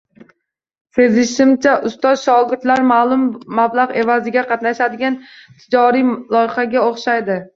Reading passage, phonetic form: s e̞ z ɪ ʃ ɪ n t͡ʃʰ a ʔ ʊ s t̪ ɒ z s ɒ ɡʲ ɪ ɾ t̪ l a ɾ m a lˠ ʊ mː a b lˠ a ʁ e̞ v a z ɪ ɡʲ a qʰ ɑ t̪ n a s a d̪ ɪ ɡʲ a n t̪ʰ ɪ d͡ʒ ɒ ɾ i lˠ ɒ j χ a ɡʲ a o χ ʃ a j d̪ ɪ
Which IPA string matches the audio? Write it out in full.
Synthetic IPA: s e̞ z ɪ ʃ ɪ m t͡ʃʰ a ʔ ʊ s t̪ ɒ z ʃ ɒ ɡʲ ɪ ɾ t̪ l a ɾ m a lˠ ʊ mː a b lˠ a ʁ e̞ v a z ɪ ɡʲ a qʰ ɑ t̪ n a ʃ a d̪ ɪ ɡʲ a n t̪ʰ ɪ d͡ʒ ɒ ɾ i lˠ ɒ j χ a ɡʲ a o χ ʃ a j d̪ ɪ